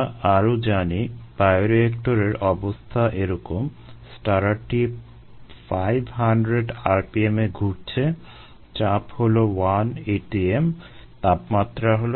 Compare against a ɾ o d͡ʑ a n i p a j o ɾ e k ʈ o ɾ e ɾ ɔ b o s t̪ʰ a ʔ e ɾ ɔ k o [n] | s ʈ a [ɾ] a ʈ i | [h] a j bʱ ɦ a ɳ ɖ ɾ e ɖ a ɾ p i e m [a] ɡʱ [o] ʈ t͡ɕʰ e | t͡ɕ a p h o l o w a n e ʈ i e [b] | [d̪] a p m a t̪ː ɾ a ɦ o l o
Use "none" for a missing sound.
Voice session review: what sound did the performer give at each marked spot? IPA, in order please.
m, ɾ, f, e, u, m, t̪

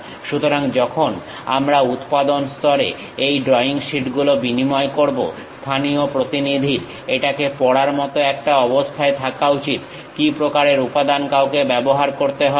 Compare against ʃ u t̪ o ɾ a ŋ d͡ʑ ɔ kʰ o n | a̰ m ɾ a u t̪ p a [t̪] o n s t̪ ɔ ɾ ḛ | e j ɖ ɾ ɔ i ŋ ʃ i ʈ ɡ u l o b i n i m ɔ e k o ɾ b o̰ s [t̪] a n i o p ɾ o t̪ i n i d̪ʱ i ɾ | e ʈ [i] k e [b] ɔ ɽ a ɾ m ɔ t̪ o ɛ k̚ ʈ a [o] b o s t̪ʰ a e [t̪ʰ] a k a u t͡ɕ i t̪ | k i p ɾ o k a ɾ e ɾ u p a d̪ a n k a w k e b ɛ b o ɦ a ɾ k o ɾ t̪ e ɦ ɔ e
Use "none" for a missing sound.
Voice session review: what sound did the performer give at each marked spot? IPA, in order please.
d̪, t̪ʰ, a, p, ɔ, t̪ʰ

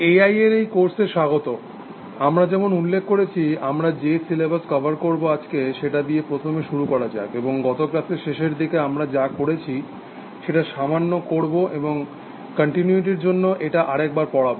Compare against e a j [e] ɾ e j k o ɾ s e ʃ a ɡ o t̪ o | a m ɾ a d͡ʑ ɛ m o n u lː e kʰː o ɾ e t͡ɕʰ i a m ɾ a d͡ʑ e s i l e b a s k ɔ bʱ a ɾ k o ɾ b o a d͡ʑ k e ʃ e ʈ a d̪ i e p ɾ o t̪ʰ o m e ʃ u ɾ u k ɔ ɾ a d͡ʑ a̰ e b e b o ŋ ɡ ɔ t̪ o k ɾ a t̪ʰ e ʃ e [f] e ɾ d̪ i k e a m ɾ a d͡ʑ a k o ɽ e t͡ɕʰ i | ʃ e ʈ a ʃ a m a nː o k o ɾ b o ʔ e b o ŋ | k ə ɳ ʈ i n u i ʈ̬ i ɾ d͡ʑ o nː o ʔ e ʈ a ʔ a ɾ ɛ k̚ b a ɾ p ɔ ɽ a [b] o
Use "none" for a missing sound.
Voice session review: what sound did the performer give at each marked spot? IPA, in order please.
e, ʃ, b

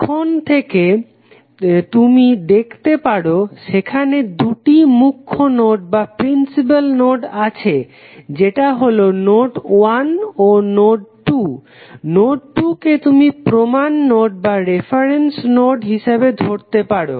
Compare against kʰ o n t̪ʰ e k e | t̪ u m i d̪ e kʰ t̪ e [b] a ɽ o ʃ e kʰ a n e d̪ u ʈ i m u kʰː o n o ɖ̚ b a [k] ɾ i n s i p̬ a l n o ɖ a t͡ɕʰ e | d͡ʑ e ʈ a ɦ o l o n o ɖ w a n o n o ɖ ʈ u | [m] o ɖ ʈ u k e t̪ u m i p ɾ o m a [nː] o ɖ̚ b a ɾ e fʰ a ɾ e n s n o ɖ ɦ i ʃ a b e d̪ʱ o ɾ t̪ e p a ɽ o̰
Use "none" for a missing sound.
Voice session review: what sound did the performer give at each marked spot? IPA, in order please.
p, p, n, nː

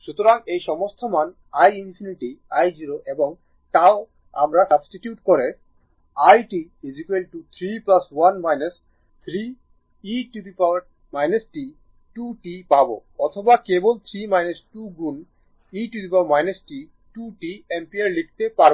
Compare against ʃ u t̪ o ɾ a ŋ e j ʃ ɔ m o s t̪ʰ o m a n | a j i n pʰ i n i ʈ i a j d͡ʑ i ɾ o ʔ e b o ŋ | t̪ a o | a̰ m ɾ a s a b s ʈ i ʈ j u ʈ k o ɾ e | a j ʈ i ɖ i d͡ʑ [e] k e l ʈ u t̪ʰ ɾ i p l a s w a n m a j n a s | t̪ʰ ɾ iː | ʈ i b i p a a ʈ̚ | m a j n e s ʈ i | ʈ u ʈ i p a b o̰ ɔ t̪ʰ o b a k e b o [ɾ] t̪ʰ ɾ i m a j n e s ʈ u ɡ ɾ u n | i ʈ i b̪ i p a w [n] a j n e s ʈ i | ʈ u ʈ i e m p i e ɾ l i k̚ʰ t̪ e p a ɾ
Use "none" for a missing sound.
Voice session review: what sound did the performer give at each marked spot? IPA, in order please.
i, l, m

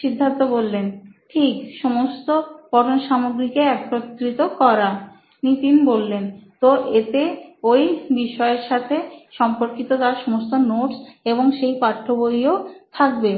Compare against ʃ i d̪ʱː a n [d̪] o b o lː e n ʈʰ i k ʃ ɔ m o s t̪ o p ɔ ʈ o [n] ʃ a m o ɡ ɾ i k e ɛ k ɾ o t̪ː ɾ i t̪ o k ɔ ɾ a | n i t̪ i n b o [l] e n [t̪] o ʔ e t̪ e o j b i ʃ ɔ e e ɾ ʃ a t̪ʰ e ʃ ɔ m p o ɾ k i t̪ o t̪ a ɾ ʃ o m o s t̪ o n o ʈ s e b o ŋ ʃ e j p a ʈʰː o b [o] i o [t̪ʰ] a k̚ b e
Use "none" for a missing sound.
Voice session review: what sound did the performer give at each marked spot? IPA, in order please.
t̪, n, lː, t̪, o, t̪ʰ

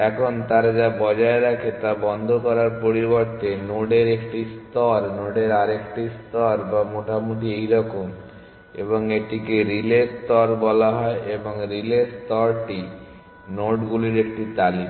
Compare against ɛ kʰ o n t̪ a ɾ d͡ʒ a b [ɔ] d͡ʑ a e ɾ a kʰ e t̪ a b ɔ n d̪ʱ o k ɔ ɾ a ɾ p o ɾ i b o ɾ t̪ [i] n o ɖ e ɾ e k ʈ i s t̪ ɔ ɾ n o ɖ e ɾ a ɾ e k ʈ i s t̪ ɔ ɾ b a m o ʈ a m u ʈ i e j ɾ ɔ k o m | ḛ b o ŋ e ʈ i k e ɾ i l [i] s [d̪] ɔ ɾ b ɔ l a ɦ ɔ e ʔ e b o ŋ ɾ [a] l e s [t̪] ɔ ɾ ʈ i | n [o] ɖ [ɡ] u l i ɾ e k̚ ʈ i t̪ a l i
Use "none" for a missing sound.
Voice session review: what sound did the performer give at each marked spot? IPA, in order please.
ɔ, e, e, t̪, i, t̪, o, ɡ

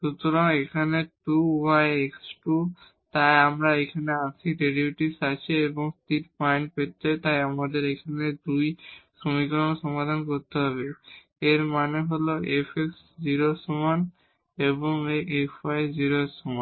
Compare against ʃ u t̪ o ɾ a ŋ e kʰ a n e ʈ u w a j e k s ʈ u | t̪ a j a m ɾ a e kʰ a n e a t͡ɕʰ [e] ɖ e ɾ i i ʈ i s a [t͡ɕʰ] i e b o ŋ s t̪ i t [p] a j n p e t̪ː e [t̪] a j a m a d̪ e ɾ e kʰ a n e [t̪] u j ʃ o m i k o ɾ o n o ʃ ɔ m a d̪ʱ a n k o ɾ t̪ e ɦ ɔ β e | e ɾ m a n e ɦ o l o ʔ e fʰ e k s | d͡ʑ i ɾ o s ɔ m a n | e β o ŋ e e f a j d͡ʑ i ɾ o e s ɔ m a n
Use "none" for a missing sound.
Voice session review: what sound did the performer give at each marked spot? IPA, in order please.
i, t͡ɕʰ, p, t̪, d̪

